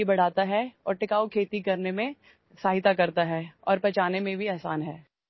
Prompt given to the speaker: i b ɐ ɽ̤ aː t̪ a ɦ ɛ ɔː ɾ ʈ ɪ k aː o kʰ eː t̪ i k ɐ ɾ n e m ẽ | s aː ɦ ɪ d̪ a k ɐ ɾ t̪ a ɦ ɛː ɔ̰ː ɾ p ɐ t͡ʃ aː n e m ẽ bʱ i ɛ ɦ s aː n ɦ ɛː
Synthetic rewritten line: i b ɐ ɽ̤ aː t̪ a ɦ ɛ ɔː ɾ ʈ ɪ k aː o kʰ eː t̪ i k ɐ ɾ n e m ẽ | s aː ɦ ɪ t̪ a k ɐ ɾ t̪ a ɦ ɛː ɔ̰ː ɾ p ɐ t͡ʃ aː n e m ẽ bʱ i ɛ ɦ s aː n ɦ ɛː